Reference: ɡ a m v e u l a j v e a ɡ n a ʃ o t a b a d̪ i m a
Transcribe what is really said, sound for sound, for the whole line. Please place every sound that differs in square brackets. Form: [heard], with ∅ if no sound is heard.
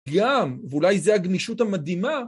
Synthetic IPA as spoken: ɡ a m v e u l a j [z] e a ɡ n [i] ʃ [u] t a [m] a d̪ i m a